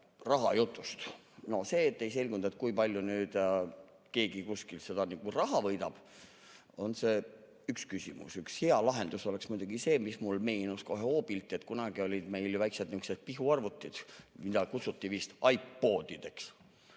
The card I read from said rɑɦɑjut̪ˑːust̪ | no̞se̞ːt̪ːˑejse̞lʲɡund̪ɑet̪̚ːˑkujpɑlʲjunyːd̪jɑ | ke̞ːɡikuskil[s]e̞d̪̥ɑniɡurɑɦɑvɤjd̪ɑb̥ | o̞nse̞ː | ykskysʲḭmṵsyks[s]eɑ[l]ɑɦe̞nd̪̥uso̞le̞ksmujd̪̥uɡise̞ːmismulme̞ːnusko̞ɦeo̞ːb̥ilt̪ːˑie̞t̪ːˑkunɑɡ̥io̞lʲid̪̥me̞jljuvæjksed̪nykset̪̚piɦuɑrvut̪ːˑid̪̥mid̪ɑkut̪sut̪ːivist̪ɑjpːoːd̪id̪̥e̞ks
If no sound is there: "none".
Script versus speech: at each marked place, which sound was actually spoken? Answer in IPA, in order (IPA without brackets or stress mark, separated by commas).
s, h, l